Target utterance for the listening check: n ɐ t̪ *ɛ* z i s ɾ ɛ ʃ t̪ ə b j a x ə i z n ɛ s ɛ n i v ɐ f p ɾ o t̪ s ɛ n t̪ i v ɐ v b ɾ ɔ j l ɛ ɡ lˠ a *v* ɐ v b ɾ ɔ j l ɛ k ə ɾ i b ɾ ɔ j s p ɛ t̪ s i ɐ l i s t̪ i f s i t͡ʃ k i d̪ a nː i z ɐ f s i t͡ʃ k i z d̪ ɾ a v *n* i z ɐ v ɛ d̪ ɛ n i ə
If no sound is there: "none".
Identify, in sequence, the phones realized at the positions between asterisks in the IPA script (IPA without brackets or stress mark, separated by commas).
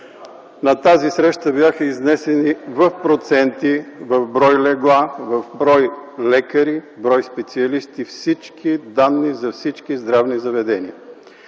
a, v, n